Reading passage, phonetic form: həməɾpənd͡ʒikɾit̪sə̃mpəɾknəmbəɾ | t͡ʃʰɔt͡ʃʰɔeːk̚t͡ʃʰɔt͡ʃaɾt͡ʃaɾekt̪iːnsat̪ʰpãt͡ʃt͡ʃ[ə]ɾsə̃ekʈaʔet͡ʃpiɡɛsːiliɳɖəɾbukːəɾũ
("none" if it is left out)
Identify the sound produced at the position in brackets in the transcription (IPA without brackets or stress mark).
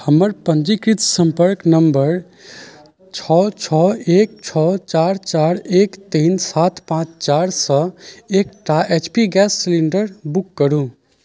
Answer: a